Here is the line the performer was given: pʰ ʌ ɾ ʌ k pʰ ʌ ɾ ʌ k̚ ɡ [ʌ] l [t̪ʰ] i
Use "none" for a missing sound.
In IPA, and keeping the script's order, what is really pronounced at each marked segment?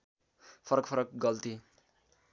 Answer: ʌ, t̪

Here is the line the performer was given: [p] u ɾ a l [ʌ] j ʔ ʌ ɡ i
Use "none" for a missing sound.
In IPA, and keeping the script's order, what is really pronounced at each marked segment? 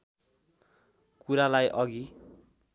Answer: k, a

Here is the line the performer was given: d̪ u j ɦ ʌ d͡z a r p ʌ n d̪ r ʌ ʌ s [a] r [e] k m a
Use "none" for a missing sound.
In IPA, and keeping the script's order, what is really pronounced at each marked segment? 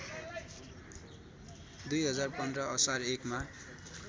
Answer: a, e

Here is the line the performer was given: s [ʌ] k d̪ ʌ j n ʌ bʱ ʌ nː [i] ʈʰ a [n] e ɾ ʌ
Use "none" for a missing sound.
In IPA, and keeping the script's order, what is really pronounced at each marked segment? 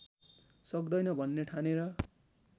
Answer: ʌ, e, n

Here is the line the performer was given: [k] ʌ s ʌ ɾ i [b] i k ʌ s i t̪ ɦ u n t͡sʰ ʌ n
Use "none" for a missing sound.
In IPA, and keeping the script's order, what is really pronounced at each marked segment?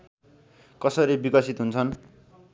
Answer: k, b

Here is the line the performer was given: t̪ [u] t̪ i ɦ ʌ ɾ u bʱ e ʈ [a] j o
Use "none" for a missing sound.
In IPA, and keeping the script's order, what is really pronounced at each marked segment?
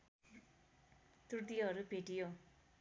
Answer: u, i

